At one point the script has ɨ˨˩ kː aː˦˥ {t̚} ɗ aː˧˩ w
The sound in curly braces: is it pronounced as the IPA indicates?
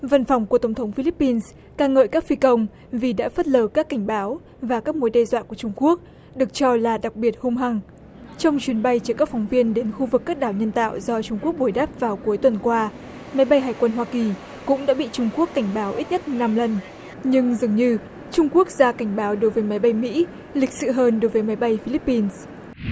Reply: no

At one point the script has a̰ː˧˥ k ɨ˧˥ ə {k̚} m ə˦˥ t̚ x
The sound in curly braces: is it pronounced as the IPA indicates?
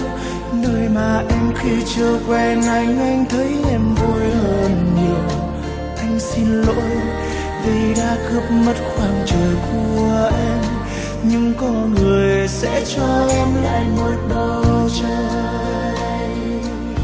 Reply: no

